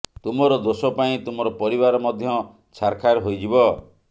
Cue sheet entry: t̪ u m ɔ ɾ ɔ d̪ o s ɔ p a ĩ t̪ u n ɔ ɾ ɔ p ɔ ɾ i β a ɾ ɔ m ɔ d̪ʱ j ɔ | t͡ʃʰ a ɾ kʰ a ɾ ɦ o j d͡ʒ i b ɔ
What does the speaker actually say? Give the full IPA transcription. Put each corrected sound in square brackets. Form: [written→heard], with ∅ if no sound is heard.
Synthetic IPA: t̪ u m ɔ ɾ ɔ d̪ o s ɔ p a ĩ t̪ u [n→m] ɔ ɾ ɔ p ɔ ɾ i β a ɾ ɔ m ɔ d̪ʱ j ɔ | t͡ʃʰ a ɾ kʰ a ɾ ɦ o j d͡ʒ i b ɔ